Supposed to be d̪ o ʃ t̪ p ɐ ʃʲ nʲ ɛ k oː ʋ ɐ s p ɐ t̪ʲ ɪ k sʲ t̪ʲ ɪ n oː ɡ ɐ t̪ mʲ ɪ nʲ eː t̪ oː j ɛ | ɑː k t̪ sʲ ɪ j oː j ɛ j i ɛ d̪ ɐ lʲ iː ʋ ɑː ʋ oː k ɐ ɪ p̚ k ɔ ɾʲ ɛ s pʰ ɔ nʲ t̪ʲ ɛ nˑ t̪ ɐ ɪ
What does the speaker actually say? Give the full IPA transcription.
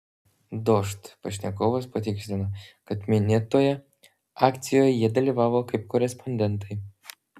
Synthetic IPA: d̪ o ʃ t̪ p ɐ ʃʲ nʲ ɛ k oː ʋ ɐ s p ɐ t̪ʲ ɪ k sʲ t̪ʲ ɪ n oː k ɐ t̪ mʲ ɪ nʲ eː t̪ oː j ɛ | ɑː k t̪ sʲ ɪ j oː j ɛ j i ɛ d̪ ɐ lʲ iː ʋ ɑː ʋ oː k ɐ ɪ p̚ k ɔ ɾʲ ɛ s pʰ ɔ nʲ d̪ʲ ɛ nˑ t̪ ɐ ɪ